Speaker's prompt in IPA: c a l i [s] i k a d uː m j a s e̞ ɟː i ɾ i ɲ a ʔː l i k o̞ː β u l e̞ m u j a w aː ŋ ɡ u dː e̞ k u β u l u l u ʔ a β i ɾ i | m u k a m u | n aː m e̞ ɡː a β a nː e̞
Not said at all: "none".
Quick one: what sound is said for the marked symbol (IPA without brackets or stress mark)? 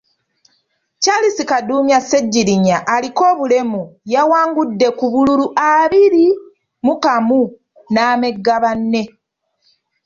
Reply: s